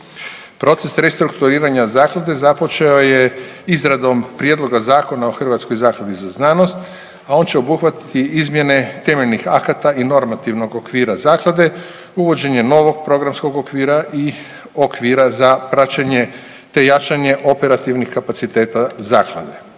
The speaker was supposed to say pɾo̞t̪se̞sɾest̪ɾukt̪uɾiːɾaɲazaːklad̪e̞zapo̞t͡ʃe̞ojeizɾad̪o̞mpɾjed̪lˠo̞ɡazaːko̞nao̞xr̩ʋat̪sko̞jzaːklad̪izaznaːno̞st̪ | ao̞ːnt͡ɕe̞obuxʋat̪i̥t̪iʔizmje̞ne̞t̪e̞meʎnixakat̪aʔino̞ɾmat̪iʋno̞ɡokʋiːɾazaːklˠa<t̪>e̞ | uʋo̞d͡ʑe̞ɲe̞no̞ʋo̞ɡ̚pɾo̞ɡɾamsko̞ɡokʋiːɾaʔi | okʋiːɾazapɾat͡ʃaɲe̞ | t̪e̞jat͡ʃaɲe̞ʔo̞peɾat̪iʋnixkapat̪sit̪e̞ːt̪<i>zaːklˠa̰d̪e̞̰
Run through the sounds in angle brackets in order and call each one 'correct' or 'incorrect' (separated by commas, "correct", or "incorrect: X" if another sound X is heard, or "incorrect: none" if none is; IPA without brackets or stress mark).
incorrect: d̪, incorrect: a